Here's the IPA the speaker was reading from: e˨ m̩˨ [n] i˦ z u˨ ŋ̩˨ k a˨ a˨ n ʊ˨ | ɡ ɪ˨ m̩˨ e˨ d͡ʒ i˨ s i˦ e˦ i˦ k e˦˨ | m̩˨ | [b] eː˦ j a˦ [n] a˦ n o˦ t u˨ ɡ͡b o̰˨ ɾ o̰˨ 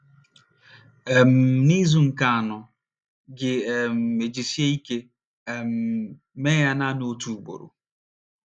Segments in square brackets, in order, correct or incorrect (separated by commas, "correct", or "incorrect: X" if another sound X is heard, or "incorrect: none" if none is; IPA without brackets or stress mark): correct, incorrect: m, correct